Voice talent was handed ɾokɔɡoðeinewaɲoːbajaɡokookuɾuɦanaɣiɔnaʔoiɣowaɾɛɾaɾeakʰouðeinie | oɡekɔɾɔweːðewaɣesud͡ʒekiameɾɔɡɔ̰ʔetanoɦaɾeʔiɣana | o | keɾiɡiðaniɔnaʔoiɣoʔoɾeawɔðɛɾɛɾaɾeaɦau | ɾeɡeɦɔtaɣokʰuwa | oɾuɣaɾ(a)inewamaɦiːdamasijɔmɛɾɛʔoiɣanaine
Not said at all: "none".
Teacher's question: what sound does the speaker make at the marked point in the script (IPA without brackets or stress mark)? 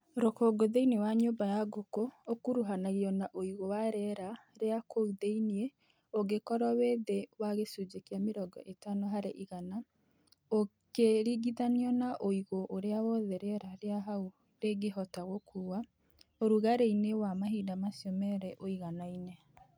e